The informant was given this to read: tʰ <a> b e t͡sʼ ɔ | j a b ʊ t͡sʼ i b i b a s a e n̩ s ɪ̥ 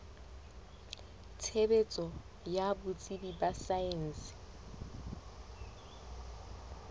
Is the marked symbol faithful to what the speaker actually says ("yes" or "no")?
no